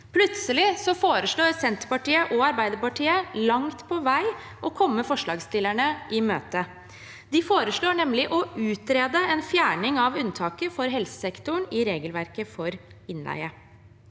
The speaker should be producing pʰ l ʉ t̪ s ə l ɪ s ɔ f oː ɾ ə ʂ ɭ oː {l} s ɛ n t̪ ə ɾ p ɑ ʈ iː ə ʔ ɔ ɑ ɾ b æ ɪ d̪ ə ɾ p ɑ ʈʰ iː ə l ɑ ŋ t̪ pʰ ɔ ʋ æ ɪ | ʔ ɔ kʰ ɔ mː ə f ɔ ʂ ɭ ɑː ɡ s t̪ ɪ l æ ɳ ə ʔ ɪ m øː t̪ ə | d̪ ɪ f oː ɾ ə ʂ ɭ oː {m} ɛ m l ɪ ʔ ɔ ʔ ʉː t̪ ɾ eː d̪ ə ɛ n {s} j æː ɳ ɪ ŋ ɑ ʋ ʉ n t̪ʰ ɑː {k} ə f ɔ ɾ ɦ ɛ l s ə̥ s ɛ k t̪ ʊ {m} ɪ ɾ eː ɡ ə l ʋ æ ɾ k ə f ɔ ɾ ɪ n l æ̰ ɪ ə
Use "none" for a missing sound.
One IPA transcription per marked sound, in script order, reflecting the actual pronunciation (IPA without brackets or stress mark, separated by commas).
ɾ, ɳ, f, k, ɳ